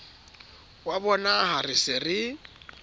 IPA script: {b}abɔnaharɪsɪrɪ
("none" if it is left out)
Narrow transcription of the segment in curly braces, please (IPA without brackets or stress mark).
w